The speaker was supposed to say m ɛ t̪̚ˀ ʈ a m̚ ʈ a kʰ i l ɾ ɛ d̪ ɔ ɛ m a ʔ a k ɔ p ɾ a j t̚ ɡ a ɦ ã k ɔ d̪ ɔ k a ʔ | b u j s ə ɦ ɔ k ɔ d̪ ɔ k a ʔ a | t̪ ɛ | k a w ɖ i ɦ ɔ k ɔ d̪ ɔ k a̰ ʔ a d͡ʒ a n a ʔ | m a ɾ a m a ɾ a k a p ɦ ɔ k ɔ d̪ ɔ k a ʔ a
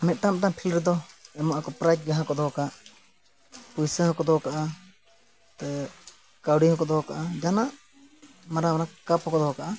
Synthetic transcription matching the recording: m ɛ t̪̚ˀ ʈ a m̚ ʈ a pʰ i l ɾ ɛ d̪ ɔ ɛ m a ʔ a k ɔ p ɾ a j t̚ ɡ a ɦ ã k ɔ d̪ ɔ k a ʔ | p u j s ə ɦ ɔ k ɔ d̪ ɔ k a ʔ a | t̪ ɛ | k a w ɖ i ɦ ɔ k ɔ d̪ ɔ k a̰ ʔ a d͡ʒ a n a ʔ | m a ɾ a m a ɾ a k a p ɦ ɔ k ɔ d̪ ɔ k a ʔ a